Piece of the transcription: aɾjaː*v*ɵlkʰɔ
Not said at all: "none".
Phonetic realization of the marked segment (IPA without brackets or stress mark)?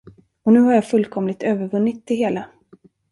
f